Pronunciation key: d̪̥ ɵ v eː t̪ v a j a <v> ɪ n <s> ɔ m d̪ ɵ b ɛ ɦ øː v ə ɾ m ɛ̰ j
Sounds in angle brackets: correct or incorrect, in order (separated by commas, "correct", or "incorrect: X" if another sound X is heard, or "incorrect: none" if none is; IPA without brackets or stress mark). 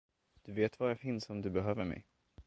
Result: incorrect: f, correct